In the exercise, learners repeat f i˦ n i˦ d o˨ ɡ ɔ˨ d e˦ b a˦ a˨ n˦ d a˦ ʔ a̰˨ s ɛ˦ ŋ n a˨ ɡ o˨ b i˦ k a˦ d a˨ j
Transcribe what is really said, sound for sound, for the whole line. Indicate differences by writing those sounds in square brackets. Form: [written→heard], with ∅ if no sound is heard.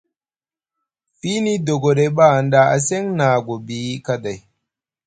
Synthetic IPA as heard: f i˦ n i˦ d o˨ ɡ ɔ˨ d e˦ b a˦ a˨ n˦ d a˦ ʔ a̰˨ s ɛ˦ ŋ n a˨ ɡ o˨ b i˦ k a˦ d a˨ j